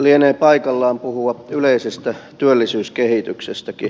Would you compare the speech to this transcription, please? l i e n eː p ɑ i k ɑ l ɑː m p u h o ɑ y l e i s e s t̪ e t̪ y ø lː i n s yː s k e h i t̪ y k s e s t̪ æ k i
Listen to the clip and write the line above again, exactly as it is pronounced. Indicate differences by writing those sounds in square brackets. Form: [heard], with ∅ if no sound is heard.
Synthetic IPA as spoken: l i e n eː p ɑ i k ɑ [lː] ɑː m p u h [u] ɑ y l e i s e s t̪ [æ] t̪ y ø lː i [∅] s yː s k e h i t̪ y k s e s t̪ æ k i